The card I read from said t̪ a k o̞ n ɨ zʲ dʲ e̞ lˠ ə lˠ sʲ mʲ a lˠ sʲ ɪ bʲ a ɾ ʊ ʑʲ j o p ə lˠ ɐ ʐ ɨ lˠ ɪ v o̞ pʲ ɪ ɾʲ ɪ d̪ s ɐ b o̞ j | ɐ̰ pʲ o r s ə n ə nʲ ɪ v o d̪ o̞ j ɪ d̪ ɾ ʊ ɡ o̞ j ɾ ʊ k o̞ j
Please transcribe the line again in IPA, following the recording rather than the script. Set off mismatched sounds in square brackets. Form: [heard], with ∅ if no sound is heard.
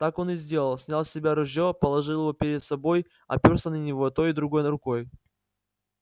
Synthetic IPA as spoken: t̪ a k o̞ n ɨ zʲ dʲ e̞ lˠ ə lˠ sʲ [nʲ] a lˠ sʲ ɪ bʲ a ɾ ʊ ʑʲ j o p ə lˠ ɐ ʐ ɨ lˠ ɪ v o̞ pʲ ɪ ɾʲ ɪ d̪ s ɐ b o̞ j | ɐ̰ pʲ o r s ə n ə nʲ ɪ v o [t̪] o̞ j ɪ d̪ ɾ ʊ ɡ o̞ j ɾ ʊ k o̞ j